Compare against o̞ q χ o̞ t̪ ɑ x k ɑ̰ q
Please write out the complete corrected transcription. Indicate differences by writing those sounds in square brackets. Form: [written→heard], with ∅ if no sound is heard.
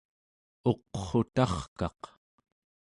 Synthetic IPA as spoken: o̞ q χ o̞ t̪ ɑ [x→χ] k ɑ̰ q